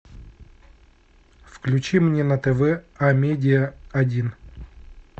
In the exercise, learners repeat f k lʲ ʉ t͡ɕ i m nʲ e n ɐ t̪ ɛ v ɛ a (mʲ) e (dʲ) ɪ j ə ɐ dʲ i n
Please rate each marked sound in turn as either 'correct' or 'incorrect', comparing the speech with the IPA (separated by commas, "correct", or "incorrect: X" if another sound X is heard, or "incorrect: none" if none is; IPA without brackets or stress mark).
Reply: correct, correct